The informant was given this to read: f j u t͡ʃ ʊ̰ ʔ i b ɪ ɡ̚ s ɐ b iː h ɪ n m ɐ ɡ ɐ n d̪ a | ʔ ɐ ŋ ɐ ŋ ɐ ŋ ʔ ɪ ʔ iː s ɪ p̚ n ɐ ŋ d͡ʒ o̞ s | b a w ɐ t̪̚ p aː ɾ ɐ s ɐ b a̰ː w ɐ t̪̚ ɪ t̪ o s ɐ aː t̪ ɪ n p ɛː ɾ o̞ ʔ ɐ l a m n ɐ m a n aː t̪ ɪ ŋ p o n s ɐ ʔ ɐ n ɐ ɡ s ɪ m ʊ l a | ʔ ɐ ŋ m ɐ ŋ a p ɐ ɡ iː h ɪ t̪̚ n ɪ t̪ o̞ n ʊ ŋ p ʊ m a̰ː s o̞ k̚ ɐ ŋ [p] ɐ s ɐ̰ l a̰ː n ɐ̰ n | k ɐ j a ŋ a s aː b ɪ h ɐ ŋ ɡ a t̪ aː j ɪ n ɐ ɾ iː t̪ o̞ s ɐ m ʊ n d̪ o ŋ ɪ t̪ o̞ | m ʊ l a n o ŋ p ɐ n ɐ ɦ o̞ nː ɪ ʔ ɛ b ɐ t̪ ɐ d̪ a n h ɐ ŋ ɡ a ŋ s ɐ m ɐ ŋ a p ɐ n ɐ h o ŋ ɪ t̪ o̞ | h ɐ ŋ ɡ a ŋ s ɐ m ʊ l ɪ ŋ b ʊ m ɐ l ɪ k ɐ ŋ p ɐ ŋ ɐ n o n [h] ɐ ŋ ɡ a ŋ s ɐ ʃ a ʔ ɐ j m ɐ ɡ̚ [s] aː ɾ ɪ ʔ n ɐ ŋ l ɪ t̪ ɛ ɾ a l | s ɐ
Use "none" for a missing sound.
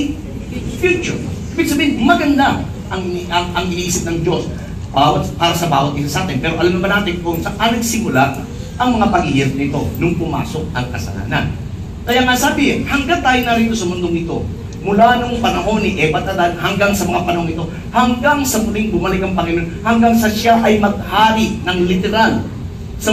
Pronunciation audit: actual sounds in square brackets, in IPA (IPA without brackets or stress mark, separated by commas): k, h, h